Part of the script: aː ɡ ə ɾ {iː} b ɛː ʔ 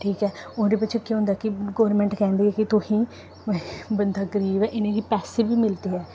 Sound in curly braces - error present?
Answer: no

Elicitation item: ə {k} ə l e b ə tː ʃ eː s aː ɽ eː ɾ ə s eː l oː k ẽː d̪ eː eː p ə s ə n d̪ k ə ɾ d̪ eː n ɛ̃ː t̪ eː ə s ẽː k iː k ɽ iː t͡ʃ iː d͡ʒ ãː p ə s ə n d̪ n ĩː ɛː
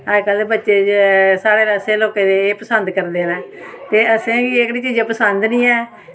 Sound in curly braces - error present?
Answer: no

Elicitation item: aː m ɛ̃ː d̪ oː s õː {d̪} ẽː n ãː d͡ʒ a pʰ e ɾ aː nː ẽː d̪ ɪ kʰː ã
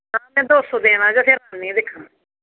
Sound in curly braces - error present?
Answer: no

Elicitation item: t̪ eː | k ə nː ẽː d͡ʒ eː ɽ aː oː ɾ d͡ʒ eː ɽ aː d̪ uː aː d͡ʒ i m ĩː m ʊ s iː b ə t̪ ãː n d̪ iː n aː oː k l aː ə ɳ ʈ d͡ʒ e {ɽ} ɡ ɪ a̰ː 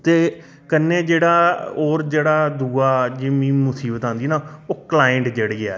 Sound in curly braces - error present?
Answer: no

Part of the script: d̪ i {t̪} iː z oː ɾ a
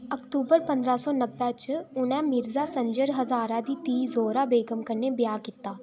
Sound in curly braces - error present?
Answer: no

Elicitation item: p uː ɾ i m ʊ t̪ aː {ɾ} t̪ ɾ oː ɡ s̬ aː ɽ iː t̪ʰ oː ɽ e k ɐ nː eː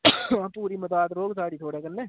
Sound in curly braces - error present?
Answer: yes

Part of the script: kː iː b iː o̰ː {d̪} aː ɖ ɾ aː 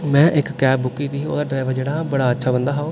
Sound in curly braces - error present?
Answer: no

